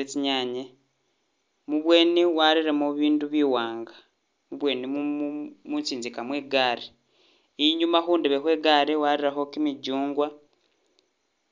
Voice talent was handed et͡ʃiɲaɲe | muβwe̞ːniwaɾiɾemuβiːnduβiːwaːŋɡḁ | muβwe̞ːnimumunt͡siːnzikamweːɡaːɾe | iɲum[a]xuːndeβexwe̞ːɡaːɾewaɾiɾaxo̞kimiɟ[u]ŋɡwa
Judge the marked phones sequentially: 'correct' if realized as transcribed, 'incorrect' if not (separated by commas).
correct, incorrect